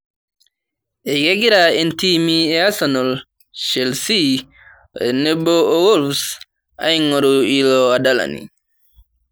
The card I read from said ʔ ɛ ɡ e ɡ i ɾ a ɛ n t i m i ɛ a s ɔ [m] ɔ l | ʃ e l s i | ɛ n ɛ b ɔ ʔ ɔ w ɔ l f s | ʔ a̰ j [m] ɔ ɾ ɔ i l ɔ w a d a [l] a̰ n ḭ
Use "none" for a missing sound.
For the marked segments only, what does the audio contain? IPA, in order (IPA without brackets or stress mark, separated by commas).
n, ŋ, l